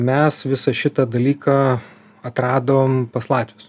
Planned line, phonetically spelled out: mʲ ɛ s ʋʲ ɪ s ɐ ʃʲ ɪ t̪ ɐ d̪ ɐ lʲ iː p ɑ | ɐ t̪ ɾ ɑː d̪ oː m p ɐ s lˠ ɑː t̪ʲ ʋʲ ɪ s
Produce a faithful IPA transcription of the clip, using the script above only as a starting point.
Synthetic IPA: mʲ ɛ s ʋʲ ɪ s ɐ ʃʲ ɪ t̪ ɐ d̪ ɐ lʲ iː k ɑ | ɐ t̪ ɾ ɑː d̪ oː m p ɐ s lˠ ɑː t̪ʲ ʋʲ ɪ s